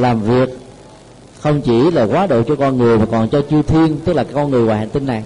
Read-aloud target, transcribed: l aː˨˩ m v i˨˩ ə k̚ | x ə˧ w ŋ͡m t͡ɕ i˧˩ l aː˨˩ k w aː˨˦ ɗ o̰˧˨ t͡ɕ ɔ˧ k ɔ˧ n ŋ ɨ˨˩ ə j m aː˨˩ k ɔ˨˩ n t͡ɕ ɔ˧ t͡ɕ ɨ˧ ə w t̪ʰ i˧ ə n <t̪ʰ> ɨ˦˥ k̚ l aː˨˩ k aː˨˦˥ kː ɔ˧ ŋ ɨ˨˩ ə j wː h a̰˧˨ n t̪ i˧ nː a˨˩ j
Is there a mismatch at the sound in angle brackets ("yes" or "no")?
yes